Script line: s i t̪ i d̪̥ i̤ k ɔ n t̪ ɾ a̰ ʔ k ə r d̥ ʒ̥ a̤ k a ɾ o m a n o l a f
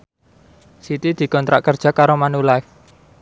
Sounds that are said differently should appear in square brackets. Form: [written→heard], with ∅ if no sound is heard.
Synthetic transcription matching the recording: s i t̪ i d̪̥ i̤ k ɔ n t̪ ɾ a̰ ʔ k ə r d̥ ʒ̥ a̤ k a ɾ o m a n [o→u] l a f

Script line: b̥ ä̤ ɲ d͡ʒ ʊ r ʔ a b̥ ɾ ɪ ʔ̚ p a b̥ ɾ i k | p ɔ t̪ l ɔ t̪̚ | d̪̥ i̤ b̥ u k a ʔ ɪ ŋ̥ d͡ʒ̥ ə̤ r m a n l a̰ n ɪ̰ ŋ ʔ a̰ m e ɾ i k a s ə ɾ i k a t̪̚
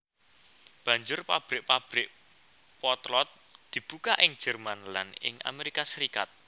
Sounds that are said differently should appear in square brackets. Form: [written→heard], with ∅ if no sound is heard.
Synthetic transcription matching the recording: b̥ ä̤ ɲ d͡ʒ ʊ r [ʔ→p] a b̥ ɾ ɪ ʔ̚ p a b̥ ɾ [i→ɪ] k | p ɔ t̪ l ɔ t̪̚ | d̪̥ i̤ b̥ u k a ʔ ɪ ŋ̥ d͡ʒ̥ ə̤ r m a n l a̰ n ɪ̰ ŋ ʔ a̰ m e ɾ i k a s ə ɾ i k a t̪̚

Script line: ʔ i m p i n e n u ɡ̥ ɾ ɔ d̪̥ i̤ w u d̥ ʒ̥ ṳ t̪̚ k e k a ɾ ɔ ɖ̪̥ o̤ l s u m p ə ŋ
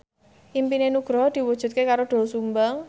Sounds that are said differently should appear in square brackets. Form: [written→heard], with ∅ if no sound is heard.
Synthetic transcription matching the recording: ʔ i m p i n e n u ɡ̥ ɾ ɔ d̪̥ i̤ w u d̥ ʒ̥ ṳ t̪̚ k e k a ɾ [ɔ→o] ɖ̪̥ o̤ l s u m [p→b] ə ŋ

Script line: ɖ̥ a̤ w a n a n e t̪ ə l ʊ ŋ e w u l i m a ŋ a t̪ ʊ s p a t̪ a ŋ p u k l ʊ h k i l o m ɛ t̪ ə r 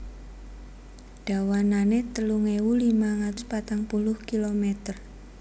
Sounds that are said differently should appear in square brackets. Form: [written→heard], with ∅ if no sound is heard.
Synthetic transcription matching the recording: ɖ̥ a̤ w a n a n e t̪ ə l [ʊ→u] ŋ e w u l i m a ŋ a t̪ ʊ s p a t̪ a ŋ p u [k→∅] l ʊ h k i l o m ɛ t̪ ə r

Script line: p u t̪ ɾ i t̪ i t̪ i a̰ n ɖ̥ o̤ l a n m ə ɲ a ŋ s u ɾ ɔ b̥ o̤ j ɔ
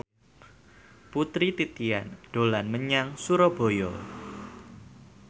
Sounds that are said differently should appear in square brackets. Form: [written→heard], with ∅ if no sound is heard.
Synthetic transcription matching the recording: p u t̪ ɾ i t̪ i t̪ i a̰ n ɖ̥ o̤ l a n m ə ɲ a ŋ s u ɾ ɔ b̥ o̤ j ɔ

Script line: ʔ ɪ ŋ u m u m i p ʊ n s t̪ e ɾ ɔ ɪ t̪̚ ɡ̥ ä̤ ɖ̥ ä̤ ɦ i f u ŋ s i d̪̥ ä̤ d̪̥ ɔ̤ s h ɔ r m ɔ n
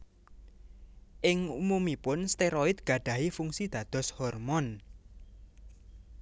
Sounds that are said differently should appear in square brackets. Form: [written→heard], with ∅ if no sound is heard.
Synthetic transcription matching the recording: ʔ ɪ ŋ u m u m i p ʊ n s t̪ e ɾ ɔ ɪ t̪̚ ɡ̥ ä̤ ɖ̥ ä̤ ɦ i f u ŋ s i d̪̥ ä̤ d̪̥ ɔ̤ s h ɔ r m ɔ n

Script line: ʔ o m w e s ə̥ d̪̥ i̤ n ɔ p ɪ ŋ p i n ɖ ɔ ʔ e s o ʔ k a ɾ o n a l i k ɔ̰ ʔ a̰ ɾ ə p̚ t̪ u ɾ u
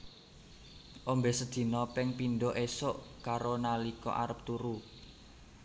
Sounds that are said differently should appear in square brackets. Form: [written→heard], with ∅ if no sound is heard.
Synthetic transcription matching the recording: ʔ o m [w→b] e s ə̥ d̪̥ i̤ n ɔ p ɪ ŋ p i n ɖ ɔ ʔ e s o ʔ k a ɾ o n a l i k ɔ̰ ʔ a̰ ɾ ə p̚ t̪ u ɾ u

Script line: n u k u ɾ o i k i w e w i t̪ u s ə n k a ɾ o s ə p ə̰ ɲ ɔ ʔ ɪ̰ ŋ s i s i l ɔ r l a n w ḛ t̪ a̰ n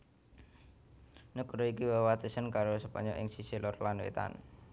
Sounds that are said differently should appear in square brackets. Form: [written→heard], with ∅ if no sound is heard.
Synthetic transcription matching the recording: n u k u ɾ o i k i w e w [i→a] t̪ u s ə n k a ɾ o s ə p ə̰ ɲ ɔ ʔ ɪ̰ ŋ s i s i l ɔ r l a n w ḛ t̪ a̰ n

